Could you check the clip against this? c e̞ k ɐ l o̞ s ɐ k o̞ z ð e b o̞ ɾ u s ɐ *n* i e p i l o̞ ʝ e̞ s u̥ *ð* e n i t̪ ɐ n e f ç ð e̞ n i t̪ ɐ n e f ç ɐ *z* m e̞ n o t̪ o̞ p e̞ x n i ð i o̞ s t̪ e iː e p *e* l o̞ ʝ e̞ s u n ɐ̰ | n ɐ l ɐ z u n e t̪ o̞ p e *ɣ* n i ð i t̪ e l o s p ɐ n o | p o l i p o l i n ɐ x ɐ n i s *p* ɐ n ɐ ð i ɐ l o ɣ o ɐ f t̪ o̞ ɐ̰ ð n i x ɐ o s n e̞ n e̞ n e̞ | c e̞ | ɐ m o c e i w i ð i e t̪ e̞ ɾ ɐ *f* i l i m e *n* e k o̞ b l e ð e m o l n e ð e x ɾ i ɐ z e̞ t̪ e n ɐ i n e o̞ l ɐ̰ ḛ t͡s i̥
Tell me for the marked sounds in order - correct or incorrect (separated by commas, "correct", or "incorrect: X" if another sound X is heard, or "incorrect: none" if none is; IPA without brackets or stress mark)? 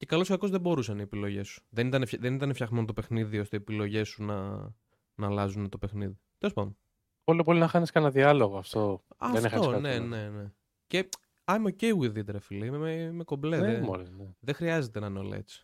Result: correct, correct, incorrect: ɣ, incorrect: i, incorrect: x, incorrect: k, correct, incorrect: m